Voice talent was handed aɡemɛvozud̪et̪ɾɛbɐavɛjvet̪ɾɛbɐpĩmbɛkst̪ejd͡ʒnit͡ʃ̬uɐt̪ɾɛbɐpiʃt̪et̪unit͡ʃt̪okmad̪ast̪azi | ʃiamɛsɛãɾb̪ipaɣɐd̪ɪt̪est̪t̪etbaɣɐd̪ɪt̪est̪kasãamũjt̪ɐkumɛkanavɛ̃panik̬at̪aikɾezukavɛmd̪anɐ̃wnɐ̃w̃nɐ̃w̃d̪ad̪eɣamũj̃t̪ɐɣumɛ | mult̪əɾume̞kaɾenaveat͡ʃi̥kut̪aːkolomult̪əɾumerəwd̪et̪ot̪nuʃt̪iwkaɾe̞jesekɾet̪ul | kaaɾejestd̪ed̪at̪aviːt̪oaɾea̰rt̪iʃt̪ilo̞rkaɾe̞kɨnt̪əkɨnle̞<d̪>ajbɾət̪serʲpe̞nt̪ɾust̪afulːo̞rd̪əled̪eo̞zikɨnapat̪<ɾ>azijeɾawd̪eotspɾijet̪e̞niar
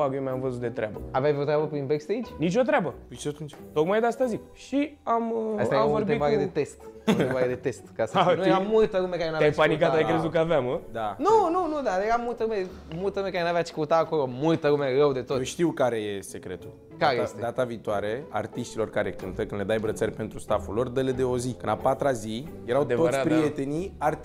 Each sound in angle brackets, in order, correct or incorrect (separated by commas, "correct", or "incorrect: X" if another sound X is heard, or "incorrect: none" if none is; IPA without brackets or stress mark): correct, correct